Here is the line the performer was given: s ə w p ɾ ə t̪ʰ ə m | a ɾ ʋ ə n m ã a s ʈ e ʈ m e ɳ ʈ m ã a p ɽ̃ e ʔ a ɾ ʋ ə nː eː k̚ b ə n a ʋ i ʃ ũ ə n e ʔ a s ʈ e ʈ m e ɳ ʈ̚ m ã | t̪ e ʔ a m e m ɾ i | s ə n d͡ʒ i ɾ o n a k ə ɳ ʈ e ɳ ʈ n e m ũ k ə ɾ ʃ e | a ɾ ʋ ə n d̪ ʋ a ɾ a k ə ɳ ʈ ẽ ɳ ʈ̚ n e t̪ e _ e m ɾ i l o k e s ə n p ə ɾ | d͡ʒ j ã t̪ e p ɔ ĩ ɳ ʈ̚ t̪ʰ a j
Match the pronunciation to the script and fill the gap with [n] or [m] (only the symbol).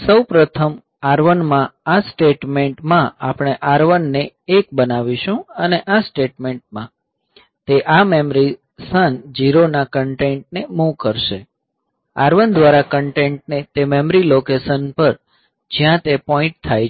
m